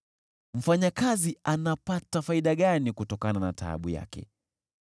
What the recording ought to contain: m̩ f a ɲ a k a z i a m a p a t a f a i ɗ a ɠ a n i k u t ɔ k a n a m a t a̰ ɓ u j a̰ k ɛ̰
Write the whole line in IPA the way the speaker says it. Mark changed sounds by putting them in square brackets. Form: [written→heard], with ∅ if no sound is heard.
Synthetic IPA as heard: m̩ f a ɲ a k a z i a [m→n] a p a t a f a i ɗ a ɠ a n i k u t ɔ k a n a [m→n] a t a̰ ɓ u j a̰ k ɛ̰